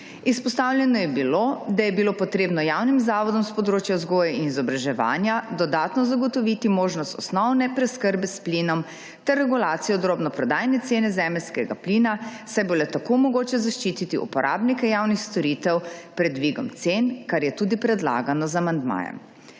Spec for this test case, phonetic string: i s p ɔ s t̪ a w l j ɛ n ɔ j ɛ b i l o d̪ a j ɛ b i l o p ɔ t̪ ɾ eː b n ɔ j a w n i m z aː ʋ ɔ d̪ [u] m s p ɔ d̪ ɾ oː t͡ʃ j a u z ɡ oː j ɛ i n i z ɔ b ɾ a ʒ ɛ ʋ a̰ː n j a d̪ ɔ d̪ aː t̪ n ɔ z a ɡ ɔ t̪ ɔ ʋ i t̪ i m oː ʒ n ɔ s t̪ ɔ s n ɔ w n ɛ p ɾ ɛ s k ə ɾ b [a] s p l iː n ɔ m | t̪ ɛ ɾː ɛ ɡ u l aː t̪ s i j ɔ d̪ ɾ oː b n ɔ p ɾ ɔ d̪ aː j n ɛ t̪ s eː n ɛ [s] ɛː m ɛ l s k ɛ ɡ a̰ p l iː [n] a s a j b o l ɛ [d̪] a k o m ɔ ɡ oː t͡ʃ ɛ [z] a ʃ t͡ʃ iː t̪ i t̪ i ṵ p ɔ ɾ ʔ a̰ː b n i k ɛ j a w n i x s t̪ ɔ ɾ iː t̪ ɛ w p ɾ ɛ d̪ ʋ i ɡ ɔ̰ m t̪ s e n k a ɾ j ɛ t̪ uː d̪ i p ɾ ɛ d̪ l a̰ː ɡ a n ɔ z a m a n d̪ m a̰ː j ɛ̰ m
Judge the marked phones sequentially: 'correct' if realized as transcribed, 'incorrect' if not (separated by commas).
incorrect, incorrect, incorrect, correct, incorrect, correct